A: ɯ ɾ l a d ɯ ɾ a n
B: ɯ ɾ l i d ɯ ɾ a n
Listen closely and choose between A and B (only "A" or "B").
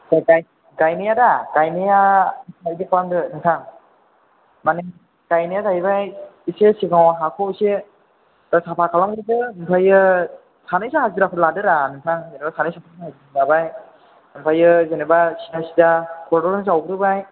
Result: A